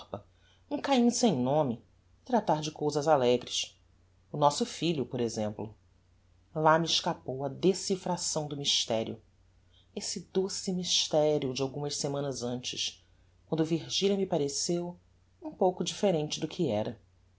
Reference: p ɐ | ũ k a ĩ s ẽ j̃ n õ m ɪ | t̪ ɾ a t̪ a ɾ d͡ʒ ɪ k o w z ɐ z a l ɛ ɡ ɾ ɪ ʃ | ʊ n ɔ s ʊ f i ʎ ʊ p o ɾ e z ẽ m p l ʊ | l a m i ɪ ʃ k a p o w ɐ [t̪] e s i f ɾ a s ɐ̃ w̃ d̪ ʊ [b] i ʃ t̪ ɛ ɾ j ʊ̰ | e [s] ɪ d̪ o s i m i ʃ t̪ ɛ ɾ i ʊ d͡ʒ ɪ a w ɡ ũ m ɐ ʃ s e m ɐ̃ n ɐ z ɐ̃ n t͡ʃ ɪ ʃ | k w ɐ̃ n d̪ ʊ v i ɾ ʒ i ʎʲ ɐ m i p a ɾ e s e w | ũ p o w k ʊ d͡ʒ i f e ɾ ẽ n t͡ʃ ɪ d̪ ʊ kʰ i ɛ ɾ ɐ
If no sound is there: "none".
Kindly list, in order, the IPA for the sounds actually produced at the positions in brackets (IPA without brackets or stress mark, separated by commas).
d̪, m, s